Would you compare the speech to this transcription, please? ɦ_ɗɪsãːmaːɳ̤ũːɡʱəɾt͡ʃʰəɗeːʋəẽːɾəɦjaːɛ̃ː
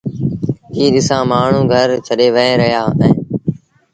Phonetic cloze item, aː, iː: iː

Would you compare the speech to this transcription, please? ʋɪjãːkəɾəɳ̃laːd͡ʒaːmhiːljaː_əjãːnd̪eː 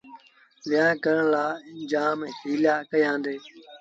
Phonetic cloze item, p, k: k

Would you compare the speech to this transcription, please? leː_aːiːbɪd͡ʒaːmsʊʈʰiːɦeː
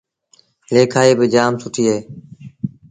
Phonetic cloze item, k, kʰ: kʰ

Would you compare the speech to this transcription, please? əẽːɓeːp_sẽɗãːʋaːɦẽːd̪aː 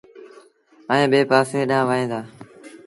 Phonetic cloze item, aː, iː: aː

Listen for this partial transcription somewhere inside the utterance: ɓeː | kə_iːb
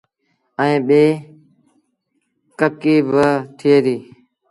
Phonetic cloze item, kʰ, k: k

